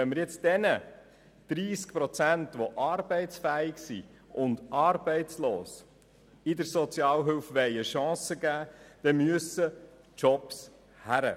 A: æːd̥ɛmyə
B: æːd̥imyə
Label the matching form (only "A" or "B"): A